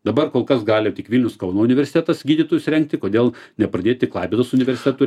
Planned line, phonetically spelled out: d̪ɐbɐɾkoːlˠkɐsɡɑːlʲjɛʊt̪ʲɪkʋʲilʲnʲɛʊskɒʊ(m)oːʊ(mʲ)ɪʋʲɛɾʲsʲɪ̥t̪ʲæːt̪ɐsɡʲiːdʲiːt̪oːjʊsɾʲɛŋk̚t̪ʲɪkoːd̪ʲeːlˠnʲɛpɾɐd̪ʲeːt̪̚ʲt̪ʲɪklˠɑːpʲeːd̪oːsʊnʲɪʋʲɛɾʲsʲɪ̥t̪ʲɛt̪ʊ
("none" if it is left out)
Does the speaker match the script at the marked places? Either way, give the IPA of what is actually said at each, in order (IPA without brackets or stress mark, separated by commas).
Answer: n, nʲ